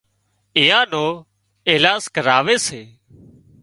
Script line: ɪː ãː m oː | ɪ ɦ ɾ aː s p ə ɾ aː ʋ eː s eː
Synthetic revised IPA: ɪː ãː n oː | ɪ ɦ l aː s k ə ɾ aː ʋ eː s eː